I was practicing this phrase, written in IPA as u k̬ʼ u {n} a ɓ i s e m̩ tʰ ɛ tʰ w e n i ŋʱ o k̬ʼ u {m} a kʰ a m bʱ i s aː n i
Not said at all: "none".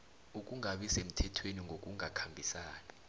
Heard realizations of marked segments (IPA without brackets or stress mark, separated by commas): ŋ, ŋ